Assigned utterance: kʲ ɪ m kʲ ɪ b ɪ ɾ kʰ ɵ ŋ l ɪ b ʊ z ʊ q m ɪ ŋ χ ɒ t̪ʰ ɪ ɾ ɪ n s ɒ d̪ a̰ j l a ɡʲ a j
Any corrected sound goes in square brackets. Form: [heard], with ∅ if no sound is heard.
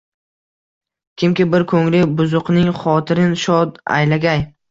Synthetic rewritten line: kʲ ɪ m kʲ ɪ b ɪ ɾ kʰ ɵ ŋ l ɪ b ʊ z ʊ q [n] ɪ ŋ χ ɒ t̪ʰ ɪ ɾ ɪ n [ʃ] ɒ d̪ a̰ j l a ɡʲ a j